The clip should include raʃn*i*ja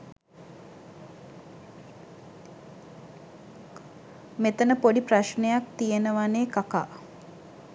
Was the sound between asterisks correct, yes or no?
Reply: no